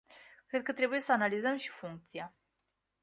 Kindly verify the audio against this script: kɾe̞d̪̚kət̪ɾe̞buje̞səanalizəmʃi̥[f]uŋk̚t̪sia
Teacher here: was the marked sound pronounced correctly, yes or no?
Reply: yes